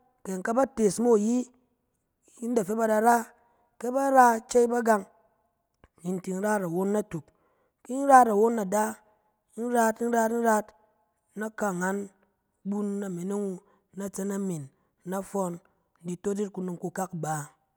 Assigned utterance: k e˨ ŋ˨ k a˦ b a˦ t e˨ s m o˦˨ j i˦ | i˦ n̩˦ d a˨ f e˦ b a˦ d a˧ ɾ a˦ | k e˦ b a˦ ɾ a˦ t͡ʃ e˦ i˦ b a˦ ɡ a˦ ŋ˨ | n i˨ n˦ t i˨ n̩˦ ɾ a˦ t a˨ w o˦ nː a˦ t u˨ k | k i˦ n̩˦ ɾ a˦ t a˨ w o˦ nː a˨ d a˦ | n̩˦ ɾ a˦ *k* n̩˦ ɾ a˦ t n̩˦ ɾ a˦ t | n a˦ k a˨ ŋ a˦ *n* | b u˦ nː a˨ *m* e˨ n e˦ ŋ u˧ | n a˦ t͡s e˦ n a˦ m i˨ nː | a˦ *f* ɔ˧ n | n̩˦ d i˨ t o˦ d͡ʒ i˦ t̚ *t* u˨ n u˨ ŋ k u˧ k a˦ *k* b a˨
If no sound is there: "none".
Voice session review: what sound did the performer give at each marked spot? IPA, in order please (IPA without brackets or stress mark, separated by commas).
t, n, m, f, k, k